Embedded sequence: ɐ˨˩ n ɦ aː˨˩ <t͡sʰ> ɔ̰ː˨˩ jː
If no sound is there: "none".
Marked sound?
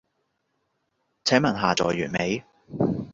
t͡s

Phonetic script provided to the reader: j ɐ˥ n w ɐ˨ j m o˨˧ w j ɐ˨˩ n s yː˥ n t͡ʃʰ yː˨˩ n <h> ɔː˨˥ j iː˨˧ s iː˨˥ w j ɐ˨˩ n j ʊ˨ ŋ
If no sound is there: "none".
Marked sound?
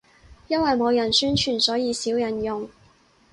s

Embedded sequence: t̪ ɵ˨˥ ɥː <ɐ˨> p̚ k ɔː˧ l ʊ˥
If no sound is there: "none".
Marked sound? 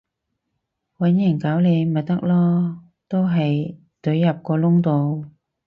ɐ˨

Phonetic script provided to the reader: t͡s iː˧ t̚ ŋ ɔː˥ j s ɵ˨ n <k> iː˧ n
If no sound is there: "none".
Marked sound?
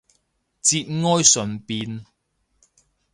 p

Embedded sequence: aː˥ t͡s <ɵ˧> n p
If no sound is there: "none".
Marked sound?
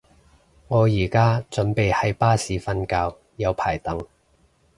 ɵ˨˥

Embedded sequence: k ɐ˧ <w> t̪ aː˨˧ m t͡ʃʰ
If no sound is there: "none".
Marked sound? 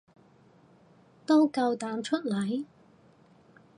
w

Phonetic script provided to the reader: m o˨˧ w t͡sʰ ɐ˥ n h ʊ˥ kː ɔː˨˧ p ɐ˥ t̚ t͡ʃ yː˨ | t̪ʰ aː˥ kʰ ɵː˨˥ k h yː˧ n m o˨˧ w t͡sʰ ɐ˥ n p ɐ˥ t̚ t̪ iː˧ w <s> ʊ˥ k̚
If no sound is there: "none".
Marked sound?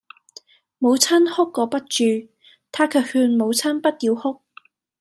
h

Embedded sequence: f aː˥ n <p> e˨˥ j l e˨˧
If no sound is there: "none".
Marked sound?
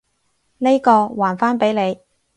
p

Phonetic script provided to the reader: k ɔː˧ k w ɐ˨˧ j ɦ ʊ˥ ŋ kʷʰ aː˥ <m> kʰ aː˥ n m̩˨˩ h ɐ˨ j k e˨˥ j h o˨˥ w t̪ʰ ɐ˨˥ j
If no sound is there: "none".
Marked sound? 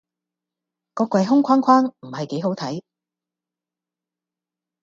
n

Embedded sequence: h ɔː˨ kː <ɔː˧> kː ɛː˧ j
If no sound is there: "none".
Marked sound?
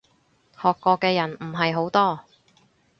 ɔː˧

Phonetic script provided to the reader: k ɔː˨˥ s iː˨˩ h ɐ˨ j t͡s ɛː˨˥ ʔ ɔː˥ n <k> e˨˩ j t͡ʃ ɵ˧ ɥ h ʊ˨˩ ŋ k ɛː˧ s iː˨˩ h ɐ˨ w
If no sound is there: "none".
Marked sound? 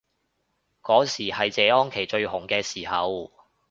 kʰ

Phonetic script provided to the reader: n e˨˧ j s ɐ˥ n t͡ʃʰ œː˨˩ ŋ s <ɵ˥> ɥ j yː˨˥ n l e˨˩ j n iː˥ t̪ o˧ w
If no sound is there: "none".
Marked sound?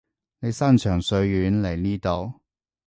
ɵ˧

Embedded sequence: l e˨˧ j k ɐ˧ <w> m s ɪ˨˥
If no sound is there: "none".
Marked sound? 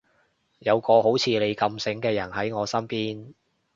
none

